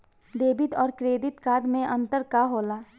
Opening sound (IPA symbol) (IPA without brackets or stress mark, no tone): d̪